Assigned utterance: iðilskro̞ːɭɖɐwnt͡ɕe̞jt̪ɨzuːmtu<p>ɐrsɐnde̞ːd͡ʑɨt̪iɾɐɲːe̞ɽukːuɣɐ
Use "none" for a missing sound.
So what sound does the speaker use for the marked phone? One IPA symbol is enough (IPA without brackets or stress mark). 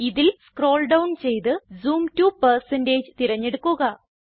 p